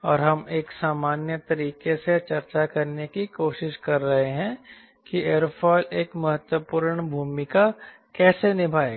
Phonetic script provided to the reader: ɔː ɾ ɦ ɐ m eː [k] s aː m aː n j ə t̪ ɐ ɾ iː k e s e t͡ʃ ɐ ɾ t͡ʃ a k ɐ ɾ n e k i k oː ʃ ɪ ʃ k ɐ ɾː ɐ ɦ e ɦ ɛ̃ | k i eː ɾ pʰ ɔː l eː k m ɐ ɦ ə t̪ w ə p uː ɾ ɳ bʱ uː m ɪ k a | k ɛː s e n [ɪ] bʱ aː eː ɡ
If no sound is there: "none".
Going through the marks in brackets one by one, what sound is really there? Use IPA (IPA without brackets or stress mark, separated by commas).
k, ɪ